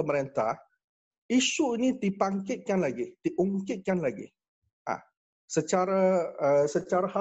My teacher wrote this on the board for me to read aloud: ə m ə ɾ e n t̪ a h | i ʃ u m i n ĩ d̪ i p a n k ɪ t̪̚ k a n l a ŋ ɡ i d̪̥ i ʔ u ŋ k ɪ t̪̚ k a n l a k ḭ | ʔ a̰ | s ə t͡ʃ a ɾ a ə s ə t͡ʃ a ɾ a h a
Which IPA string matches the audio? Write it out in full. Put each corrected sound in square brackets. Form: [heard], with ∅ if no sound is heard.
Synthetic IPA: ə m ə ɾ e n t̪ a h | i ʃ u [∅] i n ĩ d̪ i p a [ŋ] k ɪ t̪̚ k a n l a [∅] ɡ i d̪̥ i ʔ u ŋ k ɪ t̪̚ k a n l a [ɡ] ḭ | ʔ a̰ | s ə t͡ʃ a ɾ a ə s ə t͡ʃ a ɾ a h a